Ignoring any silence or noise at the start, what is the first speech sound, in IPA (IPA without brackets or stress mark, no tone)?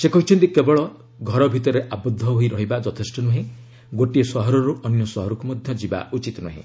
s